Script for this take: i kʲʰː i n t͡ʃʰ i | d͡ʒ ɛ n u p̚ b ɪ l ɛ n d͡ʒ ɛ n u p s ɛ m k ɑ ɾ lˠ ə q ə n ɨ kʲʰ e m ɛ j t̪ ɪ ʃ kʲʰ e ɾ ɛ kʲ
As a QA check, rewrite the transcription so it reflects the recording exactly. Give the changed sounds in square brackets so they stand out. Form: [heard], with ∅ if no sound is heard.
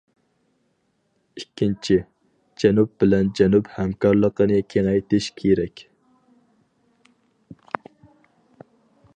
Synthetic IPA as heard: i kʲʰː i n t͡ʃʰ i | d͡ʒ ɛ n u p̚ b ɪ l ɛ n d͡ʒ ɛ n u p [h] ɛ m k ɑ ɾ lˠ ə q ə n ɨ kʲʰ e [ŋ] ɛ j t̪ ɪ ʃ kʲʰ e ɾ ɛ kʲ